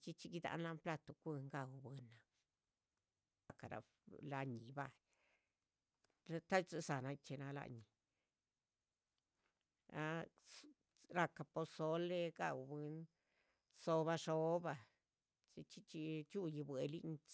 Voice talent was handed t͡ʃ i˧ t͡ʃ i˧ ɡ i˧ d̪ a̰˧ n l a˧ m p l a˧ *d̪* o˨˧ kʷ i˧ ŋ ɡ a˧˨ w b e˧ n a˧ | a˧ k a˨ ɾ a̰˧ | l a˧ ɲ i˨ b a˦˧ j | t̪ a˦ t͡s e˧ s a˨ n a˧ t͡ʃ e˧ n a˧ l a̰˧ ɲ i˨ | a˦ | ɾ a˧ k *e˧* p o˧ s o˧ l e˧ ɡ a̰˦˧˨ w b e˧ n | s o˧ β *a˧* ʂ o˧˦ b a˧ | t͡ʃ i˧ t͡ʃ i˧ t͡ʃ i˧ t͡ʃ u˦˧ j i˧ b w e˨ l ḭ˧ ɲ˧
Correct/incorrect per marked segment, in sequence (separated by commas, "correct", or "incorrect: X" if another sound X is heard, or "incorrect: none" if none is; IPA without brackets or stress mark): incorrect: t̪, incorrect: a˧, correct